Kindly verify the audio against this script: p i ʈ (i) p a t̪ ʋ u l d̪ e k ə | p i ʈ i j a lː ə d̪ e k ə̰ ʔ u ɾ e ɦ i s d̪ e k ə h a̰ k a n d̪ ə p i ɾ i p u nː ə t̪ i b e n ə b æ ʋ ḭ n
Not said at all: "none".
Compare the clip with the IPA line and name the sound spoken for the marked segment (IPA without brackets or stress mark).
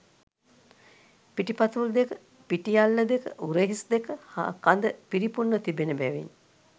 i